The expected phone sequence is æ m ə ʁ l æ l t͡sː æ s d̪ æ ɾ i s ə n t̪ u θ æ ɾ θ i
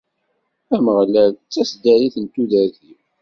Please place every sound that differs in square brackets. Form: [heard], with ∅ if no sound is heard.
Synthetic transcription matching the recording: æ m ə ʁ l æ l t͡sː æ s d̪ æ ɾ i [θ] ə n t̪ u [ð] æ ɾ θ i